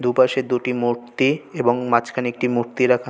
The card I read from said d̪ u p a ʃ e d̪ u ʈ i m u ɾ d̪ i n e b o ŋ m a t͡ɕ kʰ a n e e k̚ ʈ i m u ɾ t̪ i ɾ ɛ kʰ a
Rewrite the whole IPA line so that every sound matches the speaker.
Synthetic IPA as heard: d̪ u p a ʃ e d̪ u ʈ i m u ɾ t̪ i e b o ŋ m a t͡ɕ kʰ a n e e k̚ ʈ i m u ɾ t̪ i ɾ a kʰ a